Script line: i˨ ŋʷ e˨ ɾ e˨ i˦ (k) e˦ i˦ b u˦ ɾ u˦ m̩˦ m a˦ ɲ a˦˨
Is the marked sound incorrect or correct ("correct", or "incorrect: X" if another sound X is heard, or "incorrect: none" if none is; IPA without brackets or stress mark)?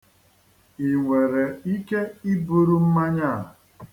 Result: correct